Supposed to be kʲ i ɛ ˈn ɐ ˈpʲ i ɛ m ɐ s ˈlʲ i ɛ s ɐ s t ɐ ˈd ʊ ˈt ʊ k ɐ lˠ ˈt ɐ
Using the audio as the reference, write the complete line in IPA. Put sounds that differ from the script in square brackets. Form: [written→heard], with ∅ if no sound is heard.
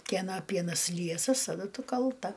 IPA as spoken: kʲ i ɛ ˈn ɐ ˈpʲ i ɛ [m→n] ɐ s ˈlʲ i ɛ s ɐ s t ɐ ˈd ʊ ˈt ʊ k ɐ lˠ ˈt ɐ